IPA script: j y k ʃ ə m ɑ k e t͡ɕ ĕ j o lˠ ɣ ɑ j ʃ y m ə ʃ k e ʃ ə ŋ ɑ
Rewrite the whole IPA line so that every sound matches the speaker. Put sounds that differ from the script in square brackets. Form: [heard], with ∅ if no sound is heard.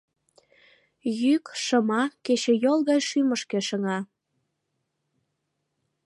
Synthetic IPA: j y k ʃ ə m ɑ k e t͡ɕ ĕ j o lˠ ɣ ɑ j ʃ y m ə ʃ k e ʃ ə ŋ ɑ